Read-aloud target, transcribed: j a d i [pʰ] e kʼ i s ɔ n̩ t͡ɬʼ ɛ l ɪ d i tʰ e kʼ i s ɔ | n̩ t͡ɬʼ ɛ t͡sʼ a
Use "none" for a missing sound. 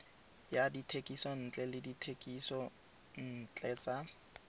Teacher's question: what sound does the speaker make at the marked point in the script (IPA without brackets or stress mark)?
tʰ